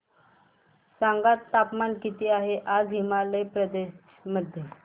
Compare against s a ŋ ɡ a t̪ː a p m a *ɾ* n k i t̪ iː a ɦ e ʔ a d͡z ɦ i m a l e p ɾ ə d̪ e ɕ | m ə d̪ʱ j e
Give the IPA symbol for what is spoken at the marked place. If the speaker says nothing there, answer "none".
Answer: none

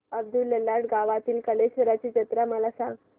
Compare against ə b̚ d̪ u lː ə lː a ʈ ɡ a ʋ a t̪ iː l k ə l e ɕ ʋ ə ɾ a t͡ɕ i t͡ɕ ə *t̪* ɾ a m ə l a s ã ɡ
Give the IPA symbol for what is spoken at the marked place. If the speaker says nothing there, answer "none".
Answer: t̪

